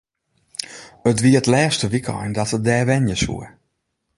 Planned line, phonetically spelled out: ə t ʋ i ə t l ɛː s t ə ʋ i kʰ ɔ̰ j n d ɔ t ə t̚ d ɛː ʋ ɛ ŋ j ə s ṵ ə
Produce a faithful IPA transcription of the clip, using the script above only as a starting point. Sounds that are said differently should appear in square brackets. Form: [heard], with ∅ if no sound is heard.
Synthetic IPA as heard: ə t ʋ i ə t l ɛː s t ə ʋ i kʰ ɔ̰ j n d ɔ t ə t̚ d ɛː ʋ ɛ [n] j ə s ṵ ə

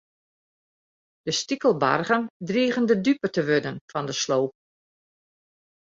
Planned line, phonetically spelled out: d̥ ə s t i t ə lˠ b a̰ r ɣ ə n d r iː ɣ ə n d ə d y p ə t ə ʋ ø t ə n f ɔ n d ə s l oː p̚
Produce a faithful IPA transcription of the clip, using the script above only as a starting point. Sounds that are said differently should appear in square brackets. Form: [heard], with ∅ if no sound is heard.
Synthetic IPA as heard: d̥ ə s t i [k] ə lˠ b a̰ r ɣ ə n d r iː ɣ ə n d ə d y p ə t ə ʋ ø [d] ə n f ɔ n d ə s l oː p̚

